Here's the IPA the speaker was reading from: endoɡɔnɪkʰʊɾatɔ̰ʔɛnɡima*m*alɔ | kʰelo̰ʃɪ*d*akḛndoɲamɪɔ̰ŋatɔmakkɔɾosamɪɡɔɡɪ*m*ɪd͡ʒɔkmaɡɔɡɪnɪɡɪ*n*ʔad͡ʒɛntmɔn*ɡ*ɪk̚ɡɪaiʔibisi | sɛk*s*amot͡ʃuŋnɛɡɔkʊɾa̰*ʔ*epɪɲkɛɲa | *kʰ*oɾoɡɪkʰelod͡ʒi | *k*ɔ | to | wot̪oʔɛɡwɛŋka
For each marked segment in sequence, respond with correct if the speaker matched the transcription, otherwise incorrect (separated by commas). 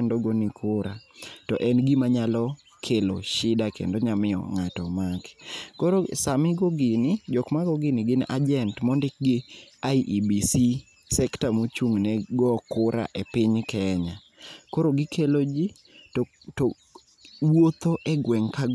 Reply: incorrect, correct, incorrect, correct, incorrect, incorrect, correct, incorrect, incorrect